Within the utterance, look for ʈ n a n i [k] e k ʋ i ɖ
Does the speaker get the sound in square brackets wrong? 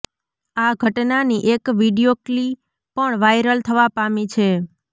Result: yes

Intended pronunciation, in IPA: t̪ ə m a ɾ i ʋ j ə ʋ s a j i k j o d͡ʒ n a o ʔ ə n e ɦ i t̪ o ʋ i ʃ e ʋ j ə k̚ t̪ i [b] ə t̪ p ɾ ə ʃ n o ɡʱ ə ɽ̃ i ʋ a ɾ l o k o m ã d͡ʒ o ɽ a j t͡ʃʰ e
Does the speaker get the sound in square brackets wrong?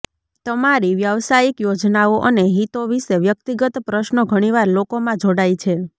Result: yes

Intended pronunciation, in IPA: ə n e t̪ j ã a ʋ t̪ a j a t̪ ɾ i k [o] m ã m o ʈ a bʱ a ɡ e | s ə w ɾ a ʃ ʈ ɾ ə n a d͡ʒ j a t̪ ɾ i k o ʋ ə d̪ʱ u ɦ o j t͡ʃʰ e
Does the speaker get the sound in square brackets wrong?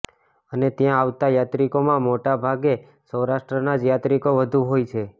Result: no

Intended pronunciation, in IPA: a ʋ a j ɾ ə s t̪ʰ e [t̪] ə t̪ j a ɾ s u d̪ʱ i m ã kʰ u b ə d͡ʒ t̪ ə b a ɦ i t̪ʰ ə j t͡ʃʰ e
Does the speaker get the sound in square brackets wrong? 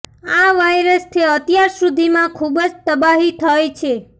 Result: yes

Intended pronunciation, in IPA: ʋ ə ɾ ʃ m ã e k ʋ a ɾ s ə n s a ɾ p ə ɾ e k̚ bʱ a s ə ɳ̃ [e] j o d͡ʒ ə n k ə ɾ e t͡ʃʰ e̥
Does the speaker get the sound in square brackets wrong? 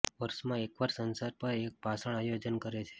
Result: yes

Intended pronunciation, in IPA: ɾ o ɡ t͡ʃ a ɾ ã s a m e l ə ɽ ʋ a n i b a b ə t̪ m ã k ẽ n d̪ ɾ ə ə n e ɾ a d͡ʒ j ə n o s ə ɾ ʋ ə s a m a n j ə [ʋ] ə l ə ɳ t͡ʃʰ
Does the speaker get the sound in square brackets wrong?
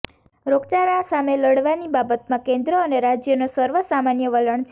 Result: no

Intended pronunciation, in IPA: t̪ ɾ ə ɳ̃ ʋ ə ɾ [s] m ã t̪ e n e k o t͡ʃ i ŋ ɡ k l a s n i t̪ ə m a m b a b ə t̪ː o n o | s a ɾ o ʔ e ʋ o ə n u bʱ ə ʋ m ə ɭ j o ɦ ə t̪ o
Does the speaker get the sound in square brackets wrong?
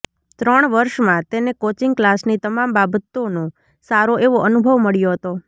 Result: yes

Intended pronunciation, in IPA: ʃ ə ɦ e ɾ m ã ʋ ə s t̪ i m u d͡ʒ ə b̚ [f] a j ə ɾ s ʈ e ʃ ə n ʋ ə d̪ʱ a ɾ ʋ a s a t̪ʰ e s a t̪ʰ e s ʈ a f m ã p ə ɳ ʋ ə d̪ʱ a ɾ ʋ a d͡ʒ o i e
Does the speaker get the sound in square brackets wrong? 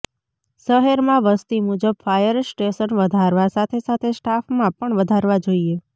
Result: no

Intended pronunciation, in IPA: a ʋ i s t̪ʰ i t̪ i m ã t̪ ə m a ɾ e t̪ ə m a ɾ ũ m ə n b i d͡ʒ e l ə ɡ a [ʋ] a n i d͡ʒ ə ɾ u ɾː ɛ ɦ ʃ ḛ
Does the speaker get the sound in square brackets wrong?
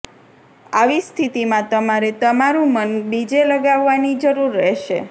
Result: yes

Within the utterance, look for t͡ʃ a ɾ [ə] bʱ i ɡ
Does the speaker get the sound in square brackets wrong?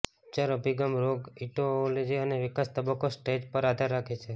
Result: no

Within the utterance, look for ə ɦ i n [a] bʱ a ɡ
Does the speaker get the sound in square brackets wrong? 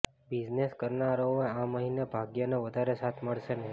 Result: yes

